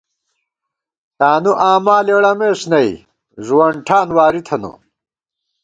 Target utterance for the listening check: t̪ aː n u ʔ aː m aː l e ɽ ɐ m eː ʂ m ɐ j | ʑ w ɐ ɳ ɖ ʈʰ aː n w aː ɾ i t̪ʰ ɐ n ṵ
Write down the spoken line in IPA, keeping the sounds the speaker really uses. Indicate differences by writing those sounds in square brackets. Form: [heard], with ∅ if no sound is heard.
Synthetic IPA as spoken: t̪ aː n u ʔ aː m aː l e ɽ ɐ m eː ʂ [n] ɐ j | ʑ w ɐ ɳ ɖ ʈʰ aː n w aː ɾ i t̪ʰ ɐ n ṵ